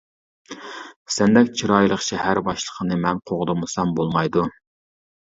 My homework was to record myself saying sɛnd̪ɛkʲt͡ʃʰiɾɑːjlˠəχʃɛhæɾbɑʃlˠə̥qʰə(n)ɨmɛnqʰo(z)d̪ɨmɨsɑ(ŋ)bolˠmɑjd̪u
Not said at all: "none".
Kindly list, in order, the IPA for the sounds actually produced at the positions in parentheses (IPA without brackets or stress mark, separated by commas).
n, ʁ, m